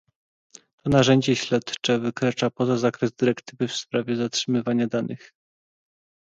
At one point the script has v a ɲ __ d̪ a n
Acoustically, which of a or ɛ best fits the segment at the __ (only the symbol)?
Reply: a